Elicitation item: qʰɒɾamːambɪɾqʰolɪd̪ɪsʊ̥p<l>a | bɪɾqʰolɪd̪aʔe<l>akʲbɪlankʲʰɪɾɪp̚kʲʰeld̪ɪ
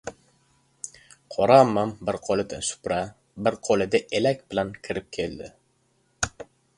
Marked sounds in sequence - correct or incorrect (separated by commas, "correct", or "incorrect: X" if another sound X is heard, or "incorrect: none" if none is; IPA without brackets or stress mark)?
incorrect: ɾ, correct